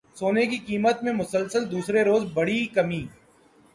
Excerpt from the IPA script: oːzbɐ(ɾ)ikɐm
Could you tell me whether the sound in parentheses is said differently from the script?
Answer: yes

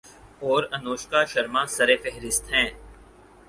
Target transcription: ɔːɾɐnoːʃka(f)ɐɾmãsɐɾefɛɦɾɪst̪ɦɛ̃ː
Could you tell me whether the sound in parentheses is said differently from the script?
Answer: yes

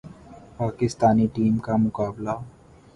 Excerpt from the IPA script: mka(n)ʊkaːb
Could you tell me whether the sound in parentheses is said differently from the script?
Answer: yes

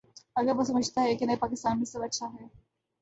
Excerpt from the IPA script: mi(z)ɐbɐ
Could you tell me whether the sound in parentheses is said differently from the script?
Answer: yes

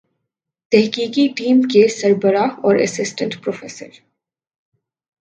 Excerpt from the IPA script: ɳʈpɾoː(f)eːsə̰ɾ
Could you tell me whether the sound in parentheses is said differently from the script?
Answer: no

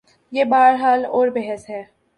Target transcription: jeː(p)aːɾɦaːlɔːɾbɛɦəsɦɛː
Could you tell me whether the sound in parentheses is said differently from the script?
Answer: yes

